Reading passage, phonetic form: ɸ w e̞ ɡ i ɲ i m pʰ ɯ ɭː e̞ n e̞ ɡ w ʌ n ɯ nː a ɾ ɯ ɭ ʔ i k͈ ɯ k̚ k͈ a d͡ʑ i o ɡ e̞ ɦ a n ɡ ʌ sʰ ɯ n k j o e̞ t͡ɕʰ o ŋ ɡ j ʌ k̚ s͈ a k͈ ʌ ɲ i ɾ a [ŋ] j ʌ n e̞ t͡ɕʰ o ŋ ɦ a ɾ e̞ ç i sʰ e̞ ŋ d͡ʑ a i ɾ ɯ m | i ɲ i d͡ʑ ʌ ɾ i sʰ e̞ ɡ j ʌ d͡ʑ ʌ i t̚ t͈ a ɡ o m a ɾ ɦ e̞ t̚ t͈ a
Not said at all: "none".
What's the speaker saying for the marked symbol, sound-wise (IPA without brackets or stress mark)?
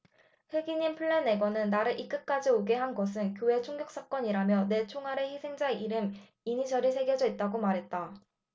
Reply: m